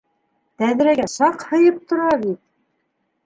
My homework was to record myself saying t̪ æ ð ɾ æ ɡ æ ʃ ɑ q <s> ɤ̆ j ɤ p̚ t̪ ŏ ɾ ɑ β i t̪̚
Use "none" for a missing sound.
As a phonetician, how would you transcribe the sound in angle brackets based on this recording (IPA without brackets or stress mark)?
h